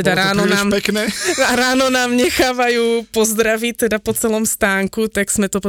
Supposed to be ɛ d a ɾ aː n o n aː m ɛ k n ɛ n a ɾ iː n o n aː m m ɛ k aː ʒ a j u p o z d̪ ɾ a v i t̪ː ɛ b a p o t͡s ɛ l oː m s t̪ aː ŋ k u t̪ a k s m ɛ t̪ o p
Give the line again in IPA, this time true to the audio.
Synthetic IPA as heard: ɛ d a ɾ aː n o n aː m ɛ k n ɛ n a ɾ aː n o n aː m ɲ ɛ x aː v a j u p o z d̪ ɾ a v i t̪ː ɛ d a p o t͡s ɛ l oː m s t̪ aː ŋ k u t̪ a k s m ɛ t̪ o p